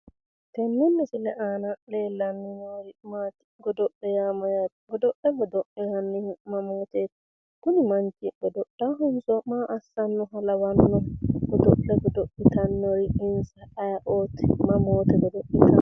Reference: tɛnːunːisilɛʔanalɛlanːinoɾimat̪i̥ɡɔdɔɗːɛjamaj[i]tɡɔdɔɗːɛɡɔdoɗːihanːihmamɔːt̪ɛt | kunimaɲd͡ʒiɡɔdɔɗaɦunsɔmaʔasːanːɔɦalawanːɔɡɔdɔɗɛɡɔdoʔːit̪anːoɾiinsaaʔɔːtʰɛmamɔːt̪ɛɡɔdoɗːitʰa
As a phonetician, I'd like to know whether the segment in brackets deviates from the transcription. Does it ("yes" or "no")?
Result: yes